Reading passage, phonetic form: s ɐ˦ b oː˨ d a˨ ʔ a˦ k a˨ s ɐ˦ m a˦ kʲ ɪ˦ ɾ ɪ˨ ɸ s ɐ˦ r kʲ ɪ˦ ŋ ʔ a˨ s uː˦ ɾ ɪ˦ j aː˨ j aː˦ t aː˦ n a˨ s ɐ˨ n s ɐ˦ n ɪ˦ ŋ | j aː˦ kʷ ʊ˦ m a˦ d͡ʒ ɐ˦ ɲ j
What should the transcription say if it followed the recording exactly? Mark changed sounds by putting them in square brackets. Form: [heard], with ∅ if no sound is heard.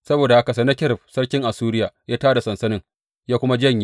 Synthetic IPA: s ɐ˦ b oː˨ d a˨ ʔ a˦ k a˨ s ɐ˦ [n] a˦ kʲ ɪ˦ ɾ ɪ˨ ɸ s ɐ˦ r kʲ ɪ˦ ŋ ʔ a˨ s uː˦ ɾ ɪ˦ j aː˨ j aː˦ t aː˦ [d] a˨ s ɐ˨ n s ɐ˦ n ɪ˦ ŋ | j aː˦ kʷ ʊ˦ m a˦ d͡ʒ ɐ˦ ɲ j